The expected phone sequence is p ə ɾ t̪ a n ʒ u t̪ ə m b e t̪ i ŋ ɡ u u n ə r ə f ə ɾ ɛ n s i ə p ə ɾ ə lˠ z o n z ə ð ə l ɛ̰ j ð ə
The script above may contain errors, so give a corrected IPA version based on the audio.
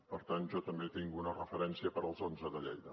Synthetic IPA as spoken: p ə ɾ t̪ a n ʒ ɔ t̪ ə m b e t̪ i ŋ ɡ u u n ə r ə f ə ɾ ɛ n s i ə p ə ɾ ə lˠ z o n z ə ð ə ʎ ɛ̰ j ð ə